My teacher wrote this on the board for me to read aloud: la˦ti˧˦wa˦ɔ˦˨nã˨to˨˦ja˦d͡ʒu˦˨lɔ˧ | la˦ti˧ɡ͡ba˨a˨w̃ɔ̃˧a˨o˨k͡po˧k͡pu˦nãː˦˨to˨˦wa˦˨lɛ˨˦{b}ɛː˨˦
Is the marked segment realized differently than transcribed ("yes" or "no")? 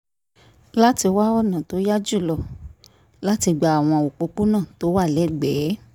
yes